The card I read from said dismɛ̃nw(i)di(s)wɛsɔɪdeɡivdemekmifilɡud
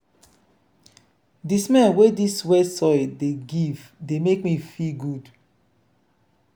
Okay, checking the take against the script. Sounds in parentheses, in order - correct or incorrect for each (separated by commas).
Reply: incorrect, correct